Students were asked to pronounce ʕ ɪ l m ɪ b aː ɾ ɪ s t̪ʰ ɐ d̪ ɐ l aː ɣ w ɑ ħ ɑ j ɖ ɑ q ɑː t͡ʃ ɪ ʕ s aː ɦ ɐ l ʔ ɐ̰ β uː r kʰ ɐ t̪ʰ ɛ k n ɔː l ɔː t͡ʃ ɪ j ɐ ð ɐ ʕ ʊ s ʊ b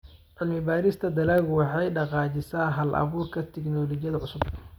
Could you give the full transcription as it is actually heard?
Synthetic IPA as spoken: ʕ ɪ l m ɪ b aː ɾ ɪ s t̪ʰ ɐ d̪ ɐ l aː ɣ w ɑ ħ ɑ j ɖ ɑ q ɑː t͡ʃ ɪ s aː ɦ ɐ l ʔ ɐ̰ β uː r kʰ ɐ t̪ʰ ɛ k n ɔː l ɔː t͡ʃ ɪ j ɐ ð ɐ ʕ ʊ s ʊ b